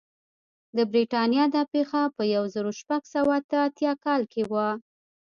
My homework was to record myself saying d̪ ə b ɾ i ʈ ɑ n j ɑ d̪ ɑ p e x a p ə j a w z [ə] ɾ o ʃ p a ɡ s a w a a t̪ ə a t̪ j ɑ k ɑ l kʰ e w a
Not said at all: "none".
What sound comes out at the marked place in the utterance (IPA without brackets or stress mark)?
ə